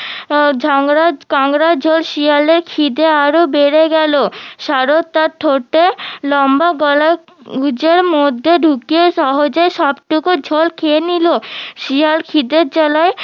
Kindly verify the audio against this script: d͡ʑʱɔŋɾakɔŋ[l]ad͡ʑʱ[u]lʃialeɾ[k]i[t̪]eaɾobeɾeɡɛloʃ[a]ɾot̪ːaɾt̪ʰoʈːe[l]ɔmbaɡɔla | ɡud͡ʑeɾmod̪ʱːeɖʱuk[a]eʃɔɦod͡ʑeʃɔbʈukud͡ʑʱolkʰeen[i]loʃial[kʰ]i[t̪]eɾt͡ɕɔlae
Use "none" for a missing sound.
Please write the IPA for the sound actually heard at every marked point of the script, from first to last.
ɾ, o, kʰ, d̪, a, l, i, i, kʰ, d̪

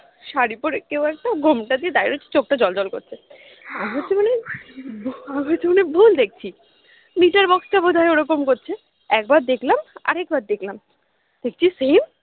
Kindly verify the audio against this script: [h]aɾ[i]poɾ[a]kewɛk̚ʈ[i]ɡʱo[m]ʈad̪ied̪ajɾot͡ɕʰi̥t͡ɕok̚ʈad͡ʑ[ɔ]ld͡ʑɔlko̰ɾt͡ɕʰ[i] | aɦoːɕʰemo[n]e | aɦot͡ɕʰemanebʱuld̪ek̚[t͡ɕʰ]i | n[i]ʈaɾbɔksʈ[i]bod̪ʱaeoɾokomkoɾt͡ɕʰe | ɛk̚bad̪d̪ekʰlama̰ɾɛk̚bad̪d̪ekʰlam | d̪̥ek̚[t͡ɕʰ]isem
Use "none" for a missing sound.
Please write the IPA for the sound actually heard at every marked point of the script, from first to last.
ʃ, i, e, a, m, ɔ, e, n, t͡ɕʰ, i, a, t͡ɕʰ

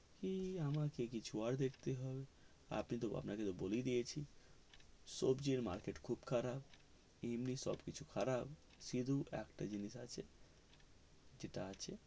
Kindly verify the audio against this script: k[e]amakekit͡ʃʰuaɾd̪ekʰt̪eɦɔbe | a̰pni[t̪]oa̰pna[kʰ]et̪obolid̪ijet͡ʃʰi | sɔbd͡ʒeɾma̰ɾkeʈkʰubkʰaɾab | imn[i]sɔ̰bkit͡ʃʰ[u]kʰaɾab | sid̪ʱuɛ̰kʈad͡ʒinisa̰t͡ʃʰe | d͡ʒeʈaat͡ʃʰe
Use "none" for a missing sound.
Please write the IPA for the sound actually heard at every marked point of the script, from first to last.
i, t̪, k, i, u

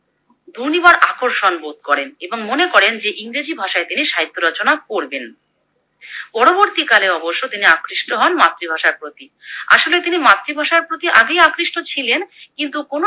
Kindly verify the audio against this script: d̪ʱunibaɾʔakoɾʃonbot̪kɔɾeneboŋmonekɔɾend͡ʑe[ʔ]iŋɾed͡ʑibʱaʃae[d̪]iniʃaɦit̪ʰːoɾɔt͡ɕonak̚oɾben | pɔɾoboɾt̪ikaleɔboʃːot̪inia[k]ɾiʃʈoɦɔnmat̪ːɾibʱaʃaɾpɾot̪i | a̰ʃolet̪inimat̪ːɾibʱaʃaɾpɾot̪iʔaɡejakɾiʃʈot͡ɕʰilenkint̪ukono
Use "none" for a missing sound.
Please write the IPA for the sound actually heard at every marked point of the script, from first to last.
ʔ, t̪, k

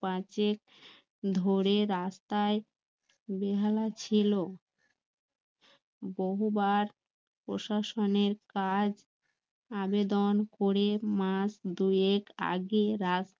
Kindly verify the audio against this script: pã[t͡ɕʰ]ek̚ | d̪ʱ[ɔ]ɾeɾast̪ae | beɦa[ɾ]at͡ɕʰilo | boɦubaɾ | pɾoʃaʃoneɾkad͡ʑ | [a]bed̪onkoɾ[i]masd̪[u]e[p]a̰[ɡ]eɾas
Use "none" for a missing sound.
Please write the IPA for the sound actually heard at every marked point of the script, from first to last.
t͡ɕ, o, l, a, e, u, k, ɡ

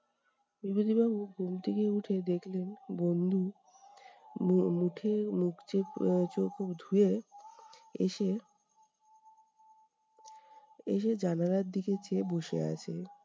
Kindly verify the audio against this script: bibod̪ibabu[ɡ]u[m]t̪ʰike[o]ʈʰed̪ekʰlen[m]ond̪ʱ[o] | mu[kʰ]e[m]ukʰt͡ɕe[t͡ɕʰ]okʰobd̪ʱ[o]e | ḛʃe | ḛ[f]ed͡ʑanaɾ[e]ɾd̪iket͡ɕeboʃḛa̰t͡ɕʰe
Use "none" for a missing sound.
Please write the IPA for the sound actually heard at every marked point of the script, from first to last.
ɡ, m, u, b, u, ʈʰ, m, t͡ɕ, u, ʃ, a

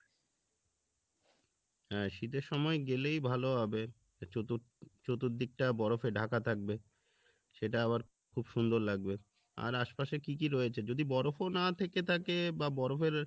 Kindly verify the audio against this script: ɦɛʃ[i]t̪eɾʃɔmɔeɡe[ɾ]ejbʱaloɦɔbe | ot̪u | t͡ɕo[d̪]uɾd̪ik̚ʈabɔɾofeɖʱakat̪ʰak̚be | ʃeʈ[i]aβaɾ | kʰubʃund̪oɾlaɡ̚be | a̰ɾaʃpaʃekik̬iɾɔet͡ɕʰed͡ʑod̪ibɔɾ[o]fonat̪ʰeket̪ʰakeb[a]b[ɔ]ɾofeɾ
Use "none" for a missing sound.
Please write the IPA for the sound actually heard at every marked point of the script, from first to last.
i, l, t̪, a, o, a, ɔ

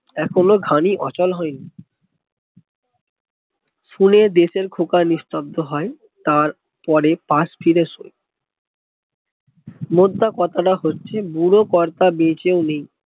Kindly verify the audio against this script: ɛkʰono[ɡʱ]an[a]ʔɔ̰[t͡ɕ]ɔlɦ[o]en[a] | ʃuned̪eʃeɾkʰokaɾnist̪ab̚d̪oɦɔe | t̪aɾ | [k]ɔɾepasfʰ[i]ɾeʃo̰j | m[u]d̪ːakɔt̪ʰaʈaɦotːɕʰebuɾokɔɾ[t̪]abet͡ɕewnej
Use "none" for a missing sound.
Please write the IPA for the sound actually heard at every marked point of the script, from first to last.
ɡʱ, i, t͡ɕ, ɔ, i, p, i, o, t̪

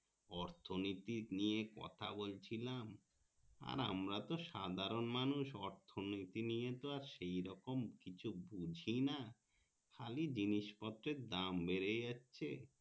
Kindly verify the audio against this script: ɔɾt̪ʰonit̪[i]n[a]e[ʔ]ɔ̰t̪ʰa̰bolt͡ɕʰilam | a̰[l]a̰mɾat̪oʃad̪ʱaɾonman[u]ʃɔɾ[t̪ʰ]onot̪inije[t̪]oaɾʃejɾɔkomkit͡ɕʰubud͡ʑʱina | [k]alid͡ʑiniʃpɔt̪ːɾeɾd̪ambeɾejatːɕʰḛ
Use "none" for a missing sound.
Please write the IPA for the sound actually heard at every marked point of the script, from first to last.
i, i, k, ɾ, u, t̪ʰ, t̪, kʰ

